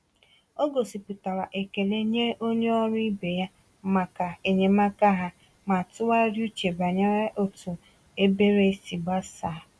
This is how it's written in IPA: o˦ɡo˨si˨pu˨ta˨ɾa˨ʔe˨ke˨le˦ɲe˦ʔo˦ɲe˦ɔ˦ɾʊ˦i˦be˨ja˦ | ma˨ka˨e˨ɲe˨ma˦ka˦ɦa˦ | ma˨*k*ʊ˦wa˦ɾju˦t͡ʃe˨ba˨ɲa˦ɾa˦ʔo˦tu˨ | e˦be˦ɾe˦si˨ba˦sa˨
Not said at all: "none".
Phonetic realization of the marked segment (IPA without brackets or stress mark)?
t